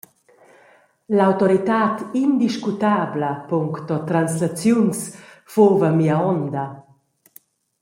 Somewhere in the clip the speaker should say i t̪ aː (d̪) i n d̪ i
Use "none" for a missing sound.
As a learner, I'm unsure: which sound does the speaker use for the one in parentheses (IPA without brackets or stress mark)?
t̪